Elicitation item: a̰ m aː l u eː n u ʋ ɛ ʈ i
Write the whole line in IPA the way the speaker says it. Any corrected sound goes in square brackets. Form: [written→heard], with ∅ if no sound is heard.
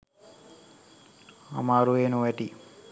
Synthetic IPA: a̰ m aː [l→ɾ] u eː n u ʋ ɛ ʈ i